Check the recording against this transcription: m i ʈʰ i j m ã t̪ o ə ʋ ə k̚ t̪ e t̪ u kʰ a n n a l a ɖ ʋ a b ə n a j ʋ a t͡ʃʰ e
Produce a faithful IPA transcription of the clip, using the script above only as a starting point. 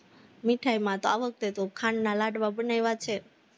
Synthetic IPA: m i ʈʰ a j m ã t̪ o a ʋ ə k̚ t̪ e t̪ o kʰ a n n a l a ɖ ʋ a b ə n a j ʋ a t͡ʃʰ e